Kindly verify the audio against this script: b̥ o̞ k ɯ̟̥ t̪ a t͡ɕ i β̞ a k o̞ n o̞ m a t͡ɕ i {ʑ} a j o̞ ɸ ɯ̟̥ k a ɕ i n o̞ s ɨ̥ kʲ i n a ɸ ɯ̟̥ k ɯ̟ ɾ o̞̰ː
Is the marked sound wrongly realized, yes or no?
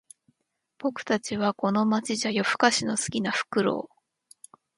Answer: no